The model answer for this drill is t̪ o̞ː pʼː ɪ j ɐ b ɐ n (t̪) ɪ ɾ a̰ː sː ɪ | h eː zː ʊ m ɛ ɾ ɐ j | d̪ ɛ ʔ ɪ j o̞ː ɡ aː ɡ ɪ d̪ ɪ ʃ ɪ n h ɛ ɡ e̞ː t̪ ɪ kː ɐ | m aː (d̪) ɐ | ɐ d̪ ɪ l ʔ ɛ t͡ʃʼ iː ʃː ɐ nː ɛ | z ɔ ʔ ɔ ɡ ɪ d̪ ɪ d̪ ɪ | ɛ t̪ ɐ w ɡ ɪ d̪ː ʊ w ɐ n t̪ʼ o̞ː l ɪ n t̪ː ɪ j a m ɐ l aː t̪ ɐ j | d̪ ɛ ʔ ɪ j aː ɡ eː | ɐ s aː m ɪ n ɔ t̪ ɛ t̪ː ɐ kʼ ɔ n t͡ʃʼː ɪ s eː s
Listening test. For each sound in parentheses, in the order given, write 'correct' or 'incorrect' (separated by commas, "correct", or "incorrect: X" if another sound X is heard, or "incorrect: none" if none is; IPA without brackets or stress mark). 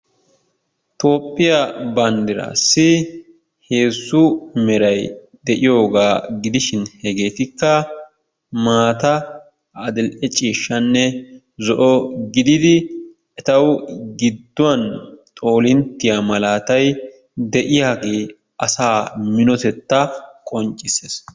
incorrect: d̪, incorrect: t̪